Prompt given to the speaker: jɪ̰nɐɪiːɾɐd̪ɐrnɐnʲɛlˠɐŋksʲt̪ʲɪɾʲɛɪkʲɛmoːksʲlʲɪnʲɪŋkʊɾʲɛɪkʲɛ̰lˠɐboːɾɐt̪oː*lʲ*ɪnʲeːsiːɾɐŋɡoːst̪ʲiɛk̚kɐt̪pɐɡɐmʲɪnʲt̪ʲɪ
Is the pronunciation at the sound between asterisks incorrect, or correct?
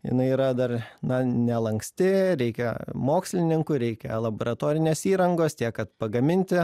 incorrect